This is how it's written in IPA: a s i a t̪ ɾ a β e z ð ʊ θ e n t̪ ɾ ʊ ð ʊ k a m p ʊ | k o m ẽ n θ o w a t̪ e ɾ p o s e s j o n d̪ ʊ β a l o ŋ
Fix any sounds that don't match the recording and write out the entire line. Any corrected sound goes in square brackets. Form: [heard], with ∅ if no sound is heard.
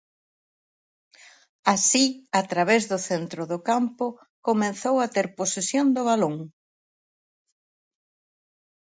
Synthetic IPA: a s i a t̪ ɾ a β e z ð ʊ θ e n t̪ ɾ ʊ ð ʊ k a m p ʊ | k o m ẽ n θ o w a t̪ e ɾ p o s e s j o n d̪ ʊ β a l o ŋ